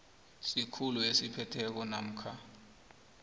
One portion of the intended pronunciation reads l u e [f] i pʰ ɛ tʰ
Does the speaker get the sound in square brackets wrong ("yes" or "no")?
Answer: yes